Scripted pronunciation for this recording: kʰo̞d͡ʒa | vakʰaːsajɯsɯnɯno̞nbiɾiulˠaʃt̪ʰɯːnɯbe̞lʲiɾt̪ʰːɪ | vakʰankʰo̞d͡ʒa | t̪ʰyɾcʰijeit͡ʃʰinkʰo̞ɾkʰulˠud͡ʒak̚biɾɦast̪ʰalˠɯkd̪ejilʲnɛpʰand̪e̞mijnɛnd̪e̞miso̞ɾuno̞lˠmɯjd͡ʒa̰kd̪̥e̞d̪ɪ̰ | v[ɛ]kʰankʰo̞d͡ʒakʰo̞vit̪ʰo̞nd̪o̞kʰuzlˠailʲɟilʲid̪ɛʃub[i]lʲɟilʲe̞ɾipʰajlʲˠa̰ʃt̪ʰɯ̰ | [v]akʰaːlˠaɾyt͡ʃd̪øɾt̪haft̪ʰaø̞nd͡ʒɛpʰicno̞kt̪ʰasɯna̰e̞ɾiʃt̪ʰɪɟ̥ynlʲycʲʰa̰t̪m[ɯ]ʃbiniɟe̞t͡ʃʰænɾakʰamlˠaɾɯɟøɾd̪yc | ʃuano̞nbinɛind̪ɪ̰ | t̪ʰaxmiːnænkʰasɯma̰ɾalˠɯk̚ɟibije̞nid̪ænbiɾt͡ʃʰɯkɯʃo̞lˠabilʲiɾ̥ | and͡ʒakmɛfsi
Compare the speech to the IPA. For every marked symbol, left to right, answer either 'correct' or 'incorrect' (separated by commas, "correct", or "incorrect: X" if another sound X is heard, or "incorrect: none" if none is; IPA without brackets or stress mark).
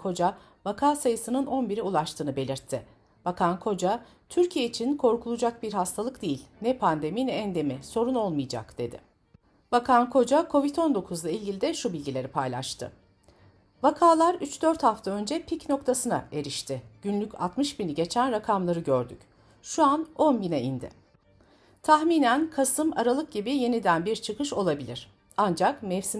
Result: incorrect: a, correct, correct, correct